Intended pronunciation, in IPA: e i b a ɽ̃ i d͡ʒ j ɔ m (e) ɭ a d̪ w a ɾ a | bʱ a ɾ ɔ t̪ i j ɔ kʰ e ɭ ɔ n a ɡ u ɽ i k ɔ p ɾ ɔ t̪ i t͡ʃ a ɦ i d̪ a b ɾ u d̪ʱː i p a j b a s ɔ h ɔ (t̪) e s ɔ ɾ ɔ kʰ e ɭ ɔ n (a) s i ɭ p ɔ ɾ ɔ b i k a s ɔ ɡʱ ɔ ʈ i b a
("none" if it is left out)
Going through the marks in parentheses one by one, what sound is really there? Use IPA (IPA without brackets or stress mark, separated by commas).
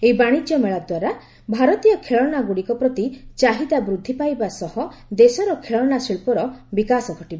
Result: e, d̪, a